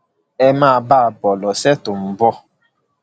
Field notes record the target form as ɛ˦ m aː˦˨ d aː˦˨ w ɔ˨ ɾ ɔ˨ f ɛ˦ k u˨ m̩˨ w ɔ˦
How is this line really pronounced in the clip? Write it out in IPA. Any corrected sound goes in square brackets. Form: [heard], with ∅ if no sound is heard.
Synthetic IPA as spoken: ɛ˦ m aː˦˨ [b] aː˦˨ [b] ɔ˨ [l] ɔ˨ [s] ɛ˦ [t] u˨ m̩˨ [b] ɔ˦